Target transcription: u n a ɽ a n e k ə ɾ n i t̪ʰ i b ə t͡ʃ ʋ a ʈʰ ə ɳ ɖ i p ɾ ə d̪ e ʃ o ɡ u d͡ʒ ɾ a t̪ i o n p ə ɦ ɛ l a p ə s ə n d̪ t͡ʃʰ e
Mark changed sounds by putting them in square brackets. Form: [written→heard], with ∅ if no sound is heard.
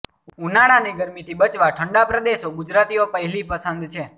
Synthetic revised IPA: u n a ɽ a n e [k→ɡ] ə ɾ [n→m] i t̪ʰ i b ə t͡ʃ ʋ a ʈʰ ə ɳ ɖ [i→a] p ɾ ə d̪ e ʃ o ɡ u d͡ʒ ɾ a t̪ i o [n→∅] p ə ɦ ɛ l [a→i] p ə s ə n d̪ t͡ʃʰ e